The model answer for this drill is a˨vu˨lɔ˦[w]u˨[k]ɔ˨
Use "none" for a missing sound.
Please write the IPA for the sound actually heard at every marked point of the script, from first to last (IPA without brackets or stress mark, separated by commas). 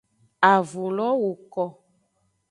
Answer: w, k